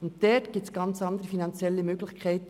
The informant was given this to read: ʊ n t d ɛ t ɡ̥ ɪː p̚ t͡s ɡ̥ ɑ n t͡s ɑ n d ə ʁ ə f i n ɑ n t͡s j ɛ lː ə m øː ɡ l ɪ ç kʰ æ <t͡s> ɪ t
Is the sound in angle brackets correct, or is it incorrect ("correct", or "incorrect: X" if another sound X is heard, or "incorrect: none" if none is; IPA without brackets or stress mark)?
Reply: incorrect: none